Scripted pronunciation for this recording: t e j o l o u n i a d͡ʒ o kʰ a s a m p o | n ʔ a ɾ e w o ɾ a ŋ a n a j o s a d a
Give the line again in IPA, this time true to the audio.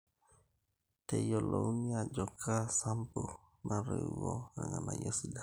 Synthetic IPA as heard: t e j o l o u n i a d͡ʒ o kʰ a s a m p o | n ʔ a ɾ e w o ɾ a ŋ a n a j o s i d a